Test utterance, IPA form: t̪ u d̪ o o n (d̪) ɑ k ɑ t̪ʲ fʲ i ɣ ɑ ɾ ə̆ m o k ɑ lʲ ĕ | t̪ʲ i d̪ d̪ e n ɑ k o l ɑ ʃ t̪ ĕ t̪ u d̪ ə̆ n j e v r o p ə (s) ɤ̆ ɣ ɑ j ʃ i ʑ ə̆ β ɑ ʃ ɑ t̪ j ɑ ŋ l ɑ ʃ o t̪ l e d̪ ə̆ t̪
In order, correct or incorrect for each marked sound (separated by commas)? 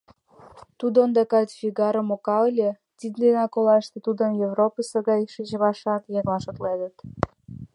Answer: correct, correct